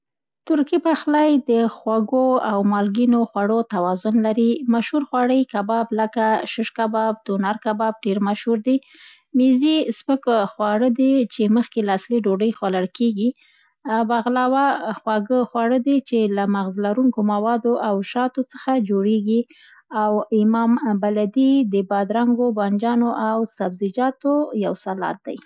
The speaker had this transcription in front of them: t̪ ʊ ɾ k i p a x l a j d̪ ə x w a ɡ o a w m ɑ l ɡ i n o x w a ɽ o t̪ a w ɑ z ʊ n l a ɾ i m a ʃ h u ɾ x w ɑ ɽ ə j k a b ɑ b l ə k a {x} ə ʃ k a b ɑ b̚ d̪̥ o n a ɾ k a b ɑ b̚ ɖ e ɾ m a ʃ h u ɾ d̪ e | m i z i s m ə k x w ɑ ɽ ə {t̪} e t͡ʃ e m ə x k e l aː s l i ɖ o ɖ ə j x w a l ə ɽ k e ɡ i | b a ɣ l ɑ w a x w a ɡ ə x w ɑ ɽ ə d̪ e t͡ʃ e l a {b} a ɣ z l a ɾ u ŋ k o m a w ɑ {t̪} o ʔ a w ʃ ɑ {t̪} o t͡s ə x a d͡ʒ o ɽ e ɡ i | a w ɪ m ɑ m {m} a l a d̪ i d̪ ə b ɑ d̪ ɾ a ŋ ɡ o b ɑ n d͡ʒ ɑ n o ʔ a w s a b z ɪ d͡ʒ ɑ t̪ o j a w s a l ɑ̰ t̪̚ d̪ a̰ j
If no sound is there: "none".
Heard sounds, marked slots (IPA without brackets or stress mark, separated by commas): ʃ, d̪, m, d̪, t̪, b